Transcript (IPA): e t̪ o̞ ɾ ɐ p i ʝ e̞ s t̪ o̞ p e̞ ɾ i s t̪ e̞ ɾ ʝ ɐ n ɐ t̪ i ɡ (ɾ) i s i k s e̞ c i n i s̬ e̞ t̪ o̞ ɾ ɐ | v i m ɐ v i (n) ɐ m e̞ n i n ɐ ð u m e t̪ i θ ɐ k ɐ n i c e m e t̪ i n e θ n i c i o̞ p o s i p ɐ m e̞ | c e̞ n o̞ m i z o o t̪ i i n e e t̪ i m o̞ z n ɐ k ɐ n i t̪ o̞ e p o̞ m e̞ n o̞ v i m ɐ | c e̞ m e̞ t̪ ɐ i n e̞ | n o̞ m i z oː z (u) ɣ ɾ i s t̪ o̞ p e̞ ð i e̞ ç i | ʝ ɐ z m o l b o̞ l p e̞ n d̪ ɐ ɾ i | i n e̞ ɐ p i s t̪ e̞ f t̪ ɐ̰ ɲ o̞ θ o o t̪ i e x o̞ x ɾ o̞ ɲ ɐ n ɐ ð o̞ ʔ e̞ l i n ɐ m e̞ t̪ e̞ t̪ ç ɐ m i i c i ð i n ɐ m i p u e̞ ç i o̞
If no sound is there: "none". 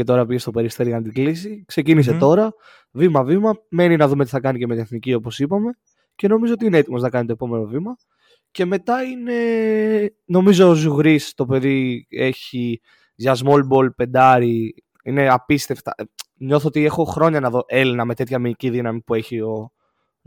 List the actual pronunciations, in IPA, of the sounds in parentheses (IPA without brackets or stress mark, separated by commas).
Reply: l, m, u